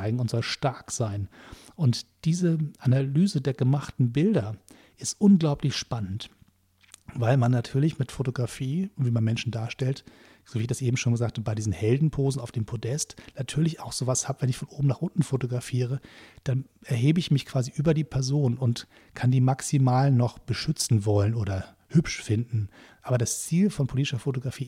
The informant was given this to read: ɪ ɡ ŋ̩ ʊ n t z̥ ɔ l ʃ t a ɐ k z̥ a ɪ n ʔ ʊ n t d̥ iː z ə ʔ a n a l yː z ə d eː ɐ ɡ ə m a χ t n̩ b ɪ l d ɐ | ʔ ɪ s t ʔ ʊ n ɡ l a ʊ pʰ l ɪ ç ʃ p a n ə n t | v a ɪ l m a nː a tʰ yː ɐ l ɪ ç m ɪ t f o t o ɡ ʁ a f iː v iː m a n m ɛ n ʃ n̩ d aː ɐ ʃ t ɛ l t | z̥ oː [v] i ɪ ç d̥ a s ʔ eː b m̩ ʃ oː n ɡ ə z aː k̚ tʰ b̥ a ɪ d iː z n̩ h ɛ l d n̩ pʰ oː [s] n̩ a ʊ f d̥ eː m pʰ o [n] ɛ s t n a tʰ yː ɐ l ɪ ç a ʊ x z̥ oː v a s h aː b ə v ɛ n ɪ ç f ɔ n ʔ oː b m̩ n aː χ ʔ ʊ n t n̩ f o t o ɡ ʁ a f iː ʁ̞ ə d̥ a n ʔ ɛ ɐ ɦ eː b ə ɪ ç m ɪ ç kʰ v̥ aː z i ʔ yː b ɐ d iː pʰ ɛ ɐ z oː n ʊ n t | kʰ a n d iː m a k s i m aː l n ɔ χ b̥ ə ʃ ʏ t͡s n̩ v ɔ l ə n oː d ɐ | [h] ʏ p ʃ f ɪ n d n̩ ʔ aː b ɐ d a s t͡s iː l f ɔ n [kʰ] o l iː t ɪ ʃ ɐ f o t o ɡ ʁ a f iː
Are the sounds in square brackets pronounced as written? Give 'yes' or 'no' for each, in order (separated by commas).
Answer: yes, no, no, yes, no